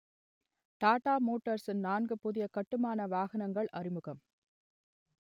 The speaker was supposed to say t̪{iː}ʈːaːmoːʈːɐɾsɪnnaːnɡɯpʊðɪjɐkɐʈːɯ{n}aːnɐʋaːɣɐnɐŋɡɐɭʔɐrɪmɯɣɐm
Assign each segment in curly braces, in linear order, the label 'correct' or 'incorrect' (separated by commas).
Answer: incorrect, incorrect